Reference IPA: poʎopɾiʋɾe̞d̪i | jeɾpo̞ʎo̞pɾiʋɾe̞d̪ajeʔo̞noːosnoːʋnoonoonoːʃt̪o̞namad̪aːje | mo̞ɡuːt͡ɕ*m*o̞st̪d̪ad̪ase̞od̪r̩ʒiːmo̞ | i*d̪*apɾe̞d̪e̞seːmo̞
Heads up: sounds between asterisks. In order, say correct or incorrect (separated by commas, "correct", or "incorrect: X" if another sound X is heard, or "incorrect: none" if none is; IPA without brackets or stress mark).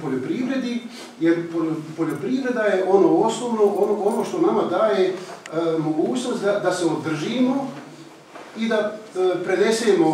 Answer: incorrect: n, correct